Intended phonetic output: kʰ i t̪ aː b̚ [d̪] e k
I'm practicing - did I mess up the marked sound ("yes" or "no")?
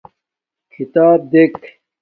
no